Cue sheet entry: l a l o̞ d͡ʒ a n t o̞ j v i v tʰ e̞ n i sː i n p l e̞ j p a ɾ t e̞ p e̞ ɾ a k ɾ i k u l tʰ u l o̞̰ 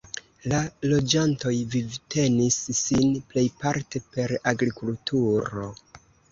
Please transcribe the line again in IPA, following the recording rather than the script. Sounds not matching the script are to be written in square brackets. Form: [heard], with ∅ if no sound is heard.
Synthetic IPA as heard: l a l o̞ d͡ʒ a n t o̞ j v i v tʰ e̞ n i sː i n p l e̞ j p a ɾ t e̞ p e̞ ɾ a [ɡ] ɾ i k u l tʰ u [ɾ] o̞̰